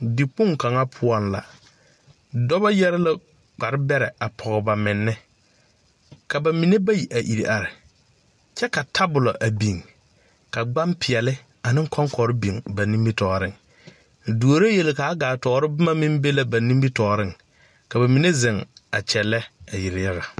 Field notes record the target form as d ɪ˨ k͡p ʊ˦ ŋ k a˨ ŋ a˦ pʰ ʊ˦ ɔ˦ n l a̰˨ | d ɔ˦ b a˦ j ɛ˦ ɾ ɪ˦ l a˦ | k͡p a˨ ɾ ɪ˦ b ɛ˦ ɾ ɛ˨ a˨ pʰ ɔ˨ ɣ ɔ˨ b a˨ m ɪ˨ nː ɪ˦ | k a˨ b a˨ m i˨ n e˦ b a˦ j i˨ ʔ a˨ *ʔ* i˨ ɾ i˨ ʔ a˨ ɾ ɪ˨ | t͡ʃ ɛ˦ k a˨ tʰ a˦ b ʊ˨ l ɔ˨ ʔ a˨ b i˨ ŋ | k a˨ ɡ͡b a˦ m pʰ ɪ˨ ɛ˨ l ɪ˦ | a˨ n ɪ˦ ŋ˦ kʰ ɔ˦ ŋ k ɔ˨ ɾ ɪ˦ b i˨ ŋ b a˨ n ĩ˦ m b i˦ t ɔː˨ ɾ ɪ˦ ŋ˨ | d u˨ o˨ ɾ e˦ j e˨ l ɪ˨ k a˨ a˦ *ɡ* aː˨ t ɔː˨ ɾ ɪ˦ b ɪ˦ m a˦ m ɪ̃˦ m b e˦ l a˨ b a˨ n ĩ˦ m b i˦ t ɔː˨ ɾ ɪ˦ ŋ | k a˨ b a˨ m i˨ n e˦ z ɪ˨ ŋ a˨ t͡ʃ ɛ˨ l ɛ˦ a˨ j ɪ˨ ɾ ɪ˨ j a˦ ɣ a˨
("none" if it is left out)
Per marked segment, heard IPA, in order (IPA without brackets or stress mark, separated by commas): ʔ, ɡ